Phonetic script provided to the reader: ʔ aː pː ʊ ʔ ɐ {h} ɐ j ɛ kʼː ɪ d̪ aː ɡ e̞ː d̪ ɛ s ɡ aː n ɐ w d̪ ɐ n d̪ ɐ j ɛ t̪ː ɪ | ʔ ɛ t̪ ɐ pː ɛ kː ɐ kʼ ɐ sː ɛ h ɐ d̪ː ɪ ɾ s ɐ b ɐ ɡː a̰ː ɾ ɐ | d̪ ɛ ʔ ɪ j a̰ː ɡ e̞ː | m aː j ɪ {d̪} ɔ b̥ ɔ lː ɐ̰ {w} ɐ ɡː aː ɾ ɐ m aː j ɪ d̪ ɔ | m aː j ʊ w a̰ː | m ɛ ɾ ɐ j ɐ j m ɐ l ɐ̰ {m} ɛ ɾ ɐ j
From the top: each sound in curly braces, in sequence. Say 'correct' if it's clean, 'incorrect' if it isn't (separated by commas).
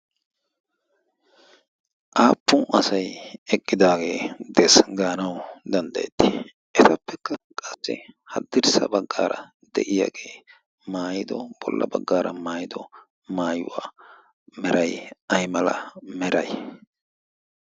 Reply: incorrect, correct, incorrect, correct